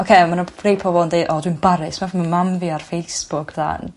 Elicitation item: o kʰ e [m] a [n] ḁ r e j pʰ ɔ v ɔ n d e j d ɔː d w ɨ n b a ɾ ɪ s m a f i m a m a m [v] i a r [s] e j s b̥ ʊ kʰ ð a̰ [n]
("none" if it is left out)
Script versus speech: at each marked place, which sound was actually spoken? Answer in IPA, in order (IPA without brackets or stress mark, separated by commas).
m, n, v, f, n